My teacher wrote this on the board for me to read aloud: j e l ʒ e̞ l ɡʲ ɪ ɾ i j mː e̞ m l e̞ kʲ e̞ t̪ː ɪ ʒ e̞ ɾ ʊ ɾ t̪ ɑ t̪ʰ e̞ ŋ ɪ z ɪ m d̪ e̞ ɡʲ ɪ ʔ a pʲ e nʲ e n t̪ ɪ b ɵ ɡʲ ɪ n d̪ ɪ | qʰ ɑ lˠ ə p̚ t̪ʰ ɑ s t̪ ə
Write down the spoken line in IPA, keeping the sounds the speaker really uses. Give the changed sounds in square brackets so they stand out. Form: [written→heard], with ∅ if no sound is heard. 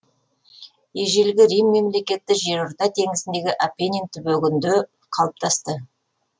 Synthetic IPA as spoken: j e [l→∅] ʒ e̞ l ɡʲ ɪ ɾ i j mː e̞ m l e̞ kʲ e̞ t̪ː ɪ ʒ e̞ ɾ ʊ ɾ t̪ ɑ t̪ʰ e̞ ŋ ɪ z ɪ [m→n] d̪ e̞ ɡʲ ɪ ʔ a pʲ e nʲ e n t̪ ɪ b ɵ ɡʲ ɪ n d̪ ɪ | qʰ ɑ lˠ ə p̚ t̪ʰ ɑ s t̪ ə